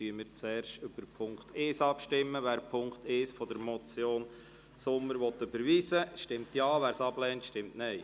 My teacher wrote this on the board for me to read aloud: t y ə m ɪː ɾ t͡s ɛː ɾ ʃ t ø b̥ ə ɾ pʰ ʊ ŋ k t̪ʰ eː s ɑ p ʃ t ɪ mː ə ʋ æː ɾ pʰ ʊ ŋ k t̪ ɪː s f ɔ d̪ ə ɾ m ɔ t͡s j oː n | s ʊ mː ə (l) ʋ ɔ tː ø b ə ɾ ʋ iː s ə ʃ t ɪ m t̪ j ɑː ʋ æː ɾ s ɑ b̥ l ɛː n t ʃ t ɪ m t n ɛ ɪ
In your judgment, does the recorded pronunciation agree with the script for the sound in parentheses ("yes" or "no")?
no